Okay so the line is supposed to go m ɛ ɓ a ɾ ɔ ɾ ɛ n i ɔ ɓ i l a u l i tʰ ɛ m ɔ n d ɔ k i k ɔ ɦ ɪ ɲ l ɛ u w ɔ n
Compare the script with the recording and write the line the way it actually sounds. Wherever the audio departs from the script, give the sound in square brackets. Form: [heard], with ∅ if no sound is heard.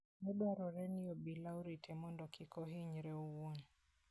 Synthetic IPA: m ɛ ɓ a ɾ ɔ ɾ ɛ n i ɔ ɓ i l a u [ɾ] i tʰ ɛ m ɔ n d ɔ k i k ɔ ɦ [i] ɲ [ɾ] ɛ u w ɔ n